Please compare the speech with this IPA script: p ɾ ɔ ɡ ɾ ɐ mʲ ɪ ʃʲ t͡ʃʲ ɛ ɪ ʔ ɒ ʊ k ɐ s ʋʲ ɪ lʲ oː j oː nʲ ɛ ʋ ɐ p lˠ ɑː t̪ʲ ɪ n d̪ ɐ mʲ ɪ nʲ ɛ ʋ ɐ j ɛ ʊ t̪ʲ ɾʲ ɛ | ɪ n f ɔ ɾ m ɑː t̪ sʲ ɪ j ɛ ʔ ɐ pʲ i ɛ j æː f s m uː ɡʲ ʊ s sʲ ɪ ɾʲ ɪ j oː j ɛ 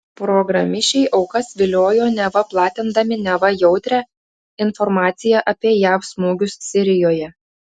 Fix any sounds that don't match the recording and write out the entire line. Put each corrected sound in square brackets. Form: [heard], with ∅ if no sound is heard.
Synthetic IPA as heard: p ɾ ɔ ɡ ɾ ɐ mʲ ɪ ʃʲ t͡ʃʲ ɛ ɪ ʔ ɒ ʊ k ɐ s ʋʲ ɪ lʲ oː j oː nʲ ɛ ʋ ɐ p lˠ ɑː t̪ʲ ɪ n d̪ ɐ mʲ ɪ nʲ ɛ ʋ ɐ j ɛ ʊ t̪ʲ ɾʲ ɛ | ɪ n f ɔ ɾ m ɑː t̪ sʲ ɪ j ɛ ʔ ɐ pʲ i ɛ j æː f s m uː ɡʲ ʊ s sʲ ɪ ɾʲ ɪ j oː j ɛ